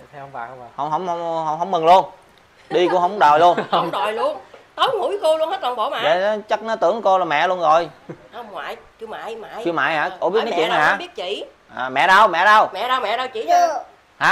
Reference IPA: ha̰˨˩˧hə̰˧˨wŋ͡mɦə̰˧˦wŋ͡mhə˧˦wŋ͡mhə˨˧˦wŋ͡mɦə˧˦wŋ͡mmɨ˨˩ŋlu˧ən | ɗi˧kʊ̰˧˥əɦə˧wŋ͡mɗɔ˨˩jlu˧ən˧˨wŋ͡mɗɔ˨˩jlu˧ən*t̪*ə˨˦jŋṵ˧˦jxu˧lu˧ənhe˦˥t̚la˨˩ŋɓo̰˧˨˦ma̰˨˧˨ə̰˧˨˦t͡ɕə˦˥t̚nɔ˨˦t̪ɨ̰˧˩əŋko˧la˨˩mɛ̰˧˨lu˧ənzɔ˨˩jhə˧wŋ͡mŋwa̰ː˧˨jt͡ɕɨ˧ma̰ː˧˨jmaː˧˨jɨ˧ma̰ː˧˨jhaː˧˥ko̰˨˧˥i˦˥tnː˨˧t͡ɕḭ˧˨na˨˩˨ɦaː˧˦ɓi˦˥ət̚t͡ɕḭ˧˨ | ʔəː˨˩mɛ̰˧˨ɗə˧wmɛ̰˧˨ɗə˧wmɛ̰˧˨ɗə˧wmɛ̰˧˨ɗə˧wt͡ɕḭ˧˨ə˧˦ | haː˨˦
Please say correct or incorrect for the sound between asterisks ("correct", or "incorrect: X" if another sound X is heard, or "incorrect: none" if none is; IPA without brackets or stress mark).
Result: correct